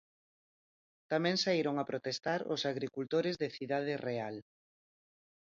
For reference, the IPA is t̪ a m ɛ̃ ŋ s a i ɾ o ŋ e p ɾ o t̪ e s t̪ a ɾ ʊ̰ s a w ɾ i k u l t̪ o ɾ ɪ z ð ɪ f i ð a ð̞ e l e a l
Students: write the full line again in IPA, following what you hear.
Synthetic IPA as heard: t̪ a m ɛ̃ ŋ s a i ɾ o ŋ a p ɾ o t̪ e s t̪ a ɾ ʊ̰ s a ɣ ɾ i k u l t̪ o ɾ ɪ z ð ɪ θ i ð a ð̞ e r e a l

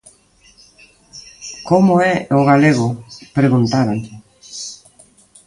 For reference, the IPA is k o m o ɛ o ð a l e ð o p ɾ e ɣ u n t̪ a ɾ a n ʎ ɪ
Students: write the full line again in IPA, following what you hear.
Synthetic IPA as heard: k o m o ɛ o ɣ a l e ɣ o p ɾ e ɣ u n t̪ a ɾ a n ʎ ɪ

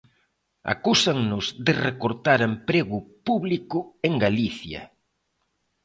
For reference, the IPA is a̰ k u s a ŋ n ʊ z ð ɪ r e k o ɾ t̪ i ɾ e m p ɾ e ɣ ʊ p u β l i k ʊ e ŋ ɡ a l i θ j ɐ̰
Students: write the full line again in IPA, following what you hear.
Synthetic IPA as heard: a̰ k u s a ŋ n ʊ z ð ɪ r e k o ɾ t̪ a ɾ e m p ɾ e ɣ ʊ p u β l i k ʊ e ŋ ɡ a l i θ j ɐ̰

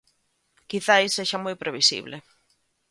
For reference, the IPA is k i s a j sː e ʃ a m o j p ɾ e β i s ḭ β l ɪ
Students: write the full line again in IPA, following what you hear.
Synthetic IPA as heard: k i θ a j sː e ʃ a m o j p ɾ e β i s ḭ β l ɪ

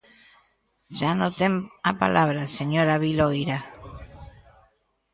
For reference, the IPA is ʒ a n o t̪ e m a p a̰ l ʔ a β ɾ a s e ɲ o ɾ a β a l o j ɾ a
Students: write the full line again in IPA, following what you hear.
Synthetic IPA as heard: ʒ a n o t̪ e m a p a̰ l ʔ a β ɾ a s e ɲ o ɾ a β i l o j ɾ a

